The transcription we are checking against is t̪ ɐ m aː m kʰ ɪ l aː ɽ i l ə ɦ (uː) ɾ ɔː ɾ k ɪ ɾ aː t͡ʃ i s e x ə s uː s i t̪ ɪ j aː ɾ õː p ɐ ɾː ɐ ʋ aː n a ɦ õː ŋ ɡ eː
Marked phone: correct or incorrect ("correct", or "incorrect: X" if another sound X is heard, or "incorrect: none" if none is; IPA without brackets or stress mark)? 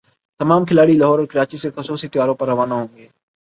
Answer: incorrect: ɔː